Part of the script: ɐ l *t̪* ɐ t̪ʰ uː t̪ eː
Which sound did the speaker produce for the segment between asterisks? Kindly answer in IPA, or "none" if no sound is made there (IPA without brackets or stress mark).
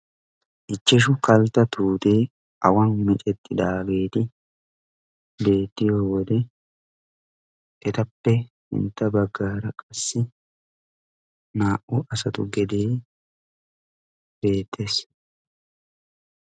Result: t̪